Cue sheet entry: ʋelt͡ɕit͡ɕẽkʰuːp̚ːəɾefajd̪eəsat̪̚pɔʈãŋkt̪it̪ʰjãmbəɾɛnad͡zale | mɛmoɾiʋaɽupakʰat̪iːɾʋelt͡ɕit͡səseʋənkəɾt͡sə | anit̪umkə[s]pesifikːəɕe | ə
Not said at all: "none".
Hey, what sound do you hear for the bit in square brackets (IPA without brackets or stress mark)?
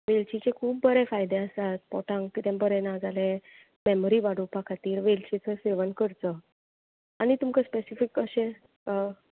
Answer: s